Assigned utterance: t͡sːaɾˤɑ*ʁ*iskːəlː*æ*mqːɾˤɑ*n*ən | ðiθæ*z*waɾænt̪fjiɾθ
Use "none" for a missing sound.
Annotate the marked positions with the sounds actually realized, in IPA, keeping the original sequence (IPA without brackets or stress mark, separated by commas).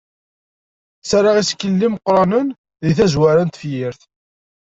ʁ, i, n, z